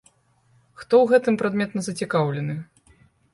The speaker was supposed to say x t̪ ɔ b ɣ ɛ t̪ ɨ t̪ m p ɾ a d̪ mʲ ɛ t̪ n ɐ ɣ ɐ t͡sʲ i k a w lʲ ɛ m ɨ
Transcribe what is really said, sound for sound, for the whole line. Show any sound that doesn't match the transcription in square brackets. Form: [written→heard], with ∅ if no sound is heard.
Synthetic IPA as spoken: x t̪ ɔ [b→w] ɣ ɛ t̪ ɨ [t̪→∅] m p ɾ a d̪ mʲ ɛ t̪ n ɐ [ɣ→z] ɐ t͡sʲ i k a w lʲ ɛ [m→n] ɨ